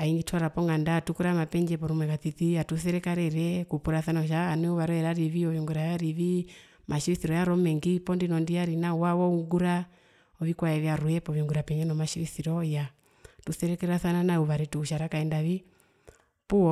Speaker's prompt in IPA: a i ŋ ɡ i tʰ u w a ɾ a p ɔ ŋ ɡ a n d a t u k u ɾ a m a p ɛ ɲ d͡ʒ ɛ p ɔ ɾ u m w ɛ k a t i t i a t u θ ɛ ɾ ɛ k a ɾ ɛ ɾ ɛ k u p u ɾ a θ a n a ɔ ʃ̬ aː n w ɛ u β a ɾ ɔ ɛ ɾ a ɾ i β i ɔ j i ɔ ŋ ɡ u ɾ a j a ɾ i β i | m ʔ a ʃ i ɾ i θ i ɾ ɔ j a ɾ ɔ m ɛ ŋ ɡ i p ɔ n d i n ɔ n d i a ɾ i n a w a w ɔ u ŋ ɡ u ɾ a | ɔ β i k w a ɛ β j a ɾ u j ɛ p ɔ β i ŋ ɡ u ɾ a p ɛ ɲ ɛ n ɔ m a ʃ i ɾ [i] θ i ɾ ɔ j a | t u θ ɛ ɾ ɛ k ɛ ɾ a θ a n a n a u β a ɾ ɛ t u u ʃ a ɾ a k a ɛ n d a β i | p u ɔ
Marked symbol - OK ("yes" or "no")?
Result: yes